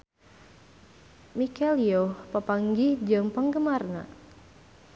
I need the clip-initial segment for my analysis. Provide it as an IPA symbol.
m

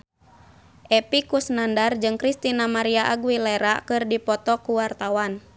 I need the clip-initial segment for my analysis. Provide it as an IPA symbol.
ʔ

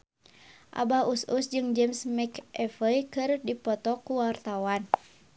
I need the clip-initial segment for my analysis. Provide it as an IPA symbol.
ʔ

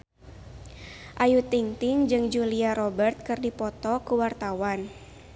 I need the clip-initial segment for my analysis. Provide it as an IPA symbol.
ʔ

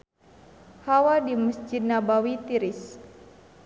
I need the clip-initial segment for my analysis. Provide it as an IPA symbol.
h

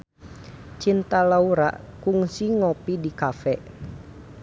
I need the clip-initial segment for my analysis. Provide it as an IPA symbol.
t͡ʃ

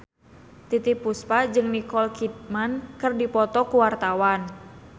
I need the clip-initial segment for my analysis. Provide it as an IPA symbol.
t̪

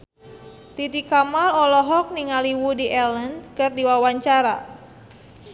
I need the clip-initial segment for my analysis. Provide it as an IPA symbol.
t̪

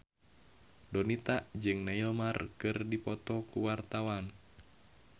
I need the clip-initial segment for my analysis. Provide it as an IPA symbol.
d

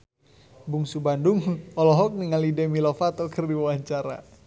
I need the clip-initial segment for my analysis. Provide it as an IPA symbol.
b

